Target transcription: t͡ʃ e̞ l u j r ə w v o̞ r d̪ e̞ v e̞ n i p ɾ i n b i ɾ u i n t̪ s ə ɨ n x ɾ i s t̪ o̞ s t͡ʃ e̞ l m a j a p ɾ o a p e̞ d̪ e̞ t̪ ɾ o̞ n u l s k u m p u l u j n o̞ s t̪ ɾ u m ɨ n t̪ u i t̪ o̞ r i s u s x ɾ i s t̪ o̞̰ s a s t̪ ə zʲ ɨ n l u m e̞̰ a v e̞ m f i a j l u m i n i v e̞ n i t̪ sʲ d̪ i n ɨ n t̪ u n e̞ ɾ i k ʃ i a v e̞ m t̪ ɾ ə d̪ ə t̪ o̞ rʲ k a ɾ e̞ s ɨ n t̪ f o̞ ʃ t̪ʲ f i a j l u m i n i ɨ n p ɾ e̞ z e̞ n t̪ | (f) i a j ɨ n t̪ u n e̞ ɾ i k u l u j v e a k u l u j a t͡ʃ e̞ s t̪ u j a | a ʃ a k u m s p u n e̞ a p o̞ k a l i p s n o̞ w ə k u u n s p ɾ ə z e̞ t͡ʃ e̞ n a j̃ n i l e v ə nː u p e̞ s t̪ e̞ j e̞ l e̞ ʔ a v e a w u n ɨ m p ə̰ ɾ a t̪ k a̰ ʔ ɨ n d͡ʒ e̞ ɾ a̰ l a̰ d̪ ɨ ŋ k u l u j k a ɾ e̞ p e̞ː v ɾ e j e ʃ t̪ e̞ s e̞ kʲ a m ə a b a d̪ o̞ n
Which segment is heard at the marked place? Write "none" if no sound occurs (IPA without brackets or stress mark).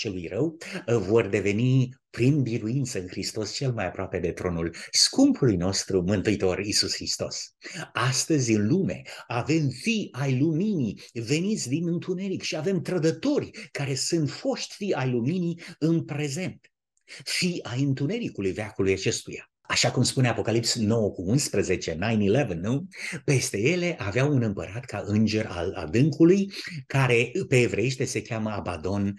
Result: f